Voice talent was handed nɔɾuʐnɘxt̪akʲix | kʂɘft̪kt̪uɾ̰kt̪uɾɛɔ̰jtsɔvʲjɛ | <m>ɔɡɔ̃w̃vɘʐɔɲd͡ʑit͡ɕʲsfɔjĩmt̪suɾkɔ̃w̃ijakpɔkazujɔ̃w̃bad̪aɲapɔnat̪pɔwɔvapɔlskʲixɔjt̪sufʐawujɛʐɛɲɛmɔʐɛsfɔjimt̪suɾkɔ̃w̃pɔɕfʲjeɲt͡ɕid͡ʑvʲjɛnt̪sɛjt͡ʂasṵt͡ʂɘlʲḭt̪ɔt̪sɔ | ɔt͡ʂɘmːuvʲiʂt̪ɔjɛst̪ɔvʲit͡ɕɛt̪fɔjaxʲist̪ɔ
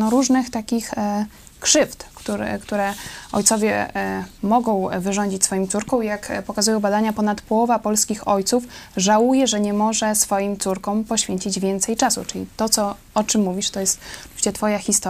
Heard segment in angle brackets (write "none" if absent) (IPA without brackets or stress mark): m